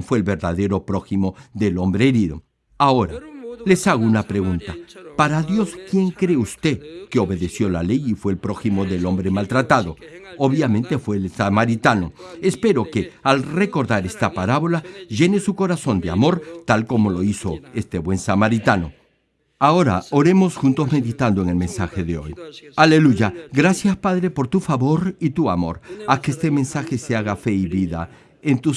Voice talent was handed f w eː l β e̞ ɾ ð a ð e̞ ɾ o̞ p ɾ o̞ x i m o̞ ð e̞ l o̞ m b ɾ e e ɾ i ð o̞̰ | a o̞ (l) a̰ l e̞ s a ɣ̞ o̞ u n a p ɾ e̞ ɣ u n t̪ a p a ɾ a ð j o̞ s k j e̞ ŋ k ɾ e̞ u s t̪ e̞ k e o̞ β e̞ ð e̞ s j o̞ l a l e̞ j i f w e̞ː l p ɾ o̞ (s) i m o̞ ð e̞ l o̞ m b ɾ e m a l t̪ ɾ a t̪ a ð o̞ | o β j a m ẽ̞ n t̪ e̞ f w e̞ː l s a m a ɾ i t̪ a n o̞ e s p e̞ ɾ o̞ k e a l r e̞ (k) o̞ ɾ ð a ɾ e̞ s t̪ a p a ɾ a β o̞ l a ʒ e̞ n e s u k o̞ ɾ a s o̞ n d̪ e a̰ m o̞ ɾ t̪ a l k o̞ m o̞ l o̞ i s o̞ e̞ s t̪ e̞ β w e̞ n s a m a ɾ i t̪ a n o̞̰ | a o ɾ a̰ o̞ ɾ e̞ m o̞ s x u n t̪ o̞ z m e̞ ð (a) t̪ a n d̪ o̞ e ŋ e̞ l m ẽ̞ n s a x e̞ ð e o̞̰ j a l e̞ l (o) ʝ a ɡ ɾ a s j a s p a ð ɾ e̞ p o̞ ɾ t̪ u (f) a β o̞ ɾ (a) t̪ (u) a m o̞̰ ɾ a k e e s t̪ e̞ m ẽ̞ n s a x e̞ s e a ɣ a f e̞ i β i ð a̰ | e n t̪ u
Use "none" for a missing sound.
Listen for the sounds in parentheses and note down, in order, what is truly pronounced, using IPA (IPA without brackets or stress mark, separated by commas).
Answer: ɾ, x, k, i, u, f, i, u